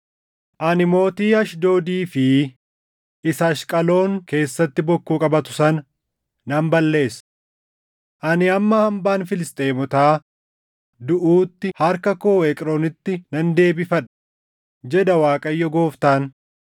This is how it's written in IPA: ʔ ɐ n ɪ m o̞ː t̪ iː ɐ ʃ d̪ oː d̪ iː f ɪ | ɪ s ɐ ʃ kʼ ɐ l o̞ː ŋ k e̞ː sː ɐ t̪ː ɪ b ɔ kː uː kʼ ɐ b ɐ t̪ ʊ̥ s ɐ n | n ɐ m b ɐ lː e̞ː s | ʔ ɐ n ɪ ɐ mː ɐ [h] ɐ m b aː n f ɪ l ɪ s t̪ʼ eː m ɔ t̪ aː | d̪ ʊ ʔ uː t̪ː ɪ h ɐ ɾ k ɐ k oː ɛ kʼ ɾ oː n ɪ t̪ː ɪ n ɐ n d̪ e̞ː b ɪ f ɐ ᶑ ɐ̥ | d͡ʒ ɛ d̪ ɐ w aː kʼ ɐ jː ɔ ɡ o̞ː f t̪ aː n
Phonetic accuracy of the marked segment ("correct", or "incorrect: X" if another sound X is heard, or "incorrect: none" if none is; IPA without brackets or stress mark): correct